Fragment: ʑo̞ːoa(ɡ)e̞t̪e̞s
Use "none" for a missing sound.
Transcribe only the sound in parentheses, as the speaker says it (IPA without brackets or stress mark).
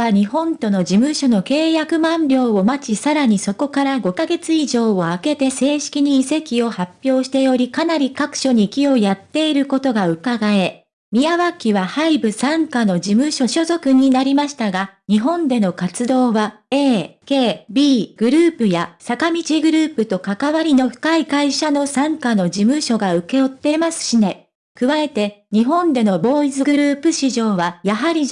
k